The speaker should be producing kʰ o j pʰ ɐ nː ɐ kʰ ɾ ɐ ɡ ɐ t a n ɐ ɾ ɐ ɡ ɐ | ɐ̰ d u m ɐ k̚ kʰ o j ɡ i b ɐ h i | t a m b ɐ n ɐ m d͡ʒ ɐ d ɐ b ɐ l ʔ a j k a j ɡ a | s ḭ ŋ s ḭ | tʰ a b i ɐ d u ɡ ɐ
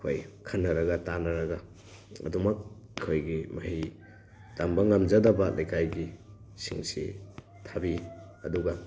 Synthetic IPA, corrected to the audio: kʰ o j kʰ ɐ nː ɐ ɾ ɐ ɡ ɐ t a n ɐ ɾ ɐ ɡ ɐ | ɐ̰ d u m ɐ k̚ kʰ o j ɡ i m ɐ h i | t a m b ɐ ŋ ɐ m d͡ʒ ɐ d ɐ b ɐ l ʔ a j k a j ɡ i | s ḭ ŋ s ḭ | tʰ a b i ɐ d u ɡ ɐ